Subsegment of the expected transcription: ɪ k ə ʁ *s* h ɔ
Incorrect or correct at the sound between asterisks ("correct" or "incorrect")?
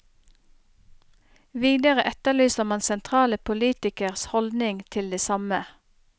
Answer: correct